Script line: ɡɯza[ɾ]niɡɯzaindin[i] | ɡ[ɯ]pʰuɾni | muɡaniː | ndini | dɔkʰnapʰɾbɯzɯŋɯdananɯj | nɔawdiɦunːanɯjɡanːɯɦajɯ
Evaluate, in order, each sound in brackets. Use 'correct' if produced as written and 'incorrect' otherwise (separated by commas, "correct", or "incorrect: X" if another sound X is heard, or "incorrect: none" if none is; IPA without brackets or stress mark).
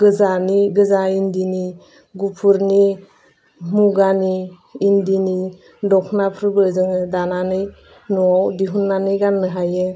incorrect: none, correct, incorrect: u